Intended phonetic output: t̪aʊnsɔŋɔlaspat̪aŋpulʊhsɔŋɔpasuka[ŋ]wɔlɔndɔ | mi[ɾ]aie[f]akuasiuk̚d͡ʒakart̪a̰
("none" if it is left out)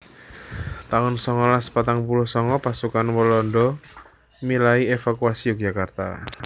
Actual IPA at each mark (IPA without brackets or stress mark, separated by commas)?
n, l, f